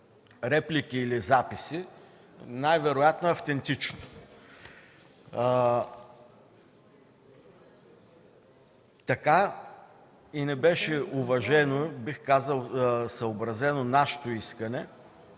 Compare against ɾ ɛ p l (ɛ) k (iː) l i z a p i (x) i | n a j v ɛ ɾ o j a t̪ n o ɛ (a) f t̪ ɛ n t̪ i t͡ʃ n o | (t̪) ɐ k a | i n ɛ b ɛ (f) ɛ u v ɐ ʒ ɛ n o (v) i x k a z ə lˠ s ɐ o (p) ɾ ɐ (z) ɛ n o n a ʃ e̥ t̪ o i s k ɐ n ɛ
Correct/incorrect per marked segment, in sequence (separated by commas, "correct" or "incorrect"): incorrect, correct, incorrect, incorrect, correct, incorrect, incorrect, incorrect, correct